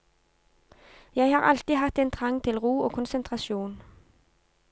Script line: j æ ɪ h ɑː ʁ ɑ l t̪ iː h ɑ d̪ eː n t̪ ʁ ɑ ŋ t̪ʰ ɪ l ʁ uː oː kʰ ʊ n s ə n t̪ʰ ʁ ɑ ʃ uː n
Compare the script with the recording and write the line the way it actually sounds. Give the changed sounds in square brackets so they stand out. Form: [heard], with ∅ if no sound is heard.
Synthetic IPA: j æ ɪ h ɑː ʁ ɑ l t̪ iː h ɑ [t̪] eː n [t̪ʰ] ʁ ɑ ŋ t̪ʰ ɪ l ʁ uː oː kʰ ʊ n s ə n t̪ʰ ʁ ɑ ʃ uː n

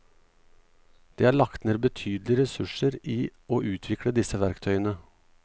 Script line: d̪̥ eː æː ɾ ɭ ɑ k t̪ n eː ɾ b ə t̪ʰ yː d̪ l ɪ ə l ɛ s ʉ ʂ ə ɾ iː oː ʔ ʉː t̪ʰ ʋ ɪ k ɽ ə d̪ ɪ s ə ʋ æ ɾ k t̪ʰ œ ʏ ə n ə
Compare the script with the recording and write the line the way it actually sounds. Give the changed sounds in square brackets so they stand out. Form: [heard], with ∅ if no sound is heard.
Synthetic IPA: d̪̥ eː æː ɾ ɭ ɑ k t̪ n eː ɾ b ə t̪ʰ yː d̪ l ɪ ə [ɾ] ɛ s ʉ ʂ ə ɾ iː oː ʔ ʉː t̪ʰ ʋ ɪ k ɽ ə d̪ ɪ s ə ʋ æ ɾ k t̪ʰ œ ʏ ə n ə

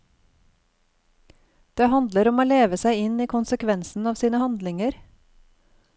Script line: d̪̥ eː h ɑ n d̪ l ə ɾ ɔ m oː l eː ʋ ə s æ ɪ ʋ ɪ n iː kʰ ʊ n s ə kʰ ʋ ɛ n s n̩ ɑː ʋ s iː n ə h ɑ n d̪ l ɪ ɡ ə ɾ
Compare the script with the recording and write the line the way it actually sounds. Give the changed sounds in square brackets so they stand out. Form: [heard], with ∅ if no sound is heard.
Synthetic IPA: d̪̥ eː h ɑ n d̪ l ə ɾ ɔ m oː l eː ʋ ə s æ ɪ [∅] ɪ n iː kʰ ʊ n s ə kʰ ʋ ɛ n s n̩ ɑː ʋ s iː n ə h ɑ n d̪ l ɪ [ŋ] ə ɾ

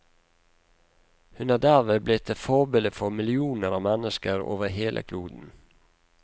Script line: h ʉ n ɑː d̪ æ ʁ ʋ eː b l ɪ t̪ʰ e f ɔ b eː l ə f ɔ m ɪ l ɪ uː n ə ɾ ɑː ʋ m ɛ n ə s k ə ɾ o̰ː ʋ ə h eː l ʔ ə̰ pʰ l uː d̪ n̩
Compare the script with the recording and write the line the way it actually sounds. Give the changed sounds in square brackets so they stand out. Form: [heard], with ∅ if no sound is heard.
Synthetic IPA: h ʉ n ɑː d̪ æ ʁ ʋ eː b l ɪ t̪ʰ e f ɔ b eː l ə f ɔ m ɪ l ɪ uː n ə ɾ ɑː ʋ m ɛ n ə s k ə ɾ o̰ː ʋ ə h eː l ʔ ə̰ [kʰ] l uː d̪ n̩

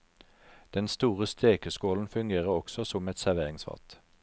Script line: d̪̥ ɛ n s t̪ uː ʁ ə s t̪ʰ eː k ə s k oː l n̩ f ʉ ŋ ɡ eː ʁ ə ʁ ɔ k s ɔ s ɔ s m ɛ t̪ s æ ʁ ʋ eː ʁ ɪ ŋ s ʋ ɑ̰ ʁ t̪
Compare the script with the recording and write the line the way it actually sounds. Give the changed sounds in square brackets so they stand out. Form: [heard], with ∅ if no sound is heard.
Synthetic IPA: d̪̥ ɛ n s t̪ uː ʁ ə s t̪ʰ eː k ə s k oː l n̩ f ʉ ŋ ɡ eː ʁ ə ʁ ɔ k s ɔ s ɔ [∅] m ɛ t̪ s æ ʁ ʋ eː ʁ ɪ ŋ s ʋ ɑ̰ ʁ t̪

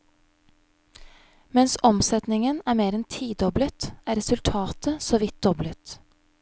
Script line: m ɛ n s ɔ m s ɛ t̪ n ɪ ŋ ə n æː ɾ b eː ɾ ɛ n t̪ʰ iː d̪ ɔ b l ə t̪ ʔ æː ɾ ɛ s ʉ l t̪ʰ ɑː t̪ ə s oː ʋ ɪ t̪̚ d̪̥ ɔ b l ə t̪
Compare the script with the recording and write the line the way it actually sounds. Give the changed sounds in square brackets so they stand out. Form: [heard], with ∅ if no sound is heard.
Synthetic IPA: m ɛ n s ɔ m s ɛ t̪ n ɪ ŋ ə n æː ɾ [m] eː ɾ ɛ n t̪ʰ iː d̪ ɔ b l ə t̪ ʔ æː ɾ ɛ s ʉ l t̪ʰ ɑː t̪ ə s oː ʋ ɪ t̪̚ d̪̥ ɔ b l ə t̪

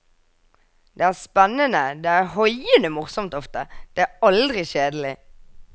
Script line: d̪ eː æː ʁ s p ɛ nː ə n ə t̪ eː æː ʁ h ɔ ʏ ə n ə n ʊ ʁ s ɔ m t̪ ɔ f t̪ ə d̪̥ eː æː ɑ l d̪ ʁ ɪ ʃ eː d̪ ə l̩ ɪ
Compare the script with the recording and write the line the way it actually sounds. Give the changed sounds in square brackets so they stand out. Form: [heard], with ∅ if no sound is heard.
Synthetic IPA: d̪ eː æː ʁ s p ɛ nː ə n ə [d̪] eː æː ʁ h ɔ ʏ ə n ə [m] ʊ ʁ s ɔ m t̪ ɔ f t̪ ə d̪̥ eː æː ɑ l d̪ ʁ ɪ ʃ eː d̪ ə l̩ ɪ

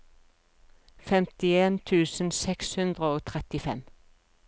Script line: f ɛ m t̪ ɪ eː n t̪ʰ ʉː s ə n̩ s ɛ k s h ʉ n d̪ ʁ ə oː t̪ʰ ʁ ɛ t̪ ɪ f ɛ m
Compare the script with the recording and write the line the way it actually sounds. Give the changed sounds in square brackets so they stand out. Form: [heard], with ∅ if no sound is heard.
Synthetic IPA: f ɛ m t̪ ɪ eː n t̪ʰ ʉː s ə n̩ s ɛ k s h ʉ n d̪ ʁ ə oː t̪ʰ ʁ ɛ t̪ ɪ f ɛ m

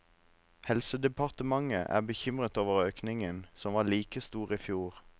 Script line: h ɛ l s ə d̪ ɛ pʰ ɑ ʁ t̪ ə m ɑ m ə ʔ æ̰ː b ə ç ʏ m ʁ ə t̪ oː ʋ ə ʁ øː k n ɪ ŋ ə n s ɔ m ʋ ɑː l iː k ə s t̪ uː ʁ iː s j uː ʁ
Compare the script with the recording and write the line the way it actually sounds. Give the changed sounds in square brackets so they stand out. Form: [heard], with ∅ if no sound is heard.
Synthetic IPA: h ɛ l s ə d̪ ɛ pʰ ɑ ʁ t̪ ə m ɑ [ŋ] ə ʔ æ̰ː b ə ç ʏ m ʁ ə t̪ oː ʋ ə ʁ øː k n ɪ ŋ ə n s ɔ m ʋ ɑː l iː k ə s t̪ uː ʁ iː [f] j uː ʁ

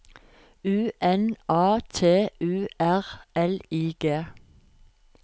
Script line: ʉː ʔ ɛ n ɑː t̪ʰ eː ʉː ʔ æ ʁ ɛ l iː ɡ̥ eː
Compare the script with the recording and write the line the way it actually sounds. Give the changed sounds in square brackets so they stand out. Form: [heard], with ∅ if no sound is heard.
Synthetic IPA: ʉː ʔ ɛ n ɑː t̪ʰ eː ʉː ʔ æ ʁ ɛ l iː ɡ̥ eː

